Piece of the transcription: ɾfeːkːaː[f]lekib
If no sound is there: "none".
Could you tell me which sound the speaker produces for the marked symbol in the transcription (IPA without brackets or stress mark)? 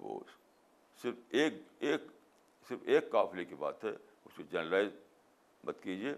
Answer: f